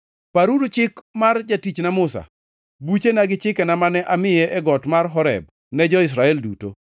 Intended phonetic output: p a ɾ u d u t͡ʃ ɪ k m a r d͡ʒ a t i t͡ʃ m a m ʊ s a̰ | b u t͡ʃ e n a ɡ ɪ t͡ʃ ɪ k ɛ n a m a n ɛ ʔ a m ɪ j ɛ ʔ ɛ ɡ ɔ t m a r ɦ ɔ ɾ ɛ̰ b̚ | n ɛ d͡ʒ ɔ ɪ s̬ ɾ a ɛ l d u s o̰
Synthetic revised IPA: p a ɾ u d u t͡ʃ ɪ k m a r d͡ʒ a t i t͡ʃ n a m ʊ s a̰ | b u t͡ʃ e n a ɡ ɪ t͡ʃ ɪ k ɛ n a m a n ɛ ʔ a m ɪ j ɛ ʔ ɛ ɡ ɔ t m a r ɦ ɔ ɾ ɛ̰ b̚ | n ɛ d͡ʒ ɔ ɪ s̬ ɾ a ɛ l d u t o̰